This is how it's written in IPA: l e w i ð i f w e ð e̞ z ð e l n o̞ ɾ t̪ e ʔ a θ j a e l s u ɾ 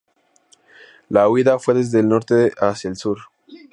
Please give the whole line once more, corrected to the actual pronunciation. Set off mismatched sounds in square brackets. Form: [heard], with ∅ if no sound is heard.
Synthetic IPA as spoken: l [a] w i ð [a] f w e ð e̞ z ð e l n o̞ ɾ t̪ e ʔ a [s] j a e l s u ɾ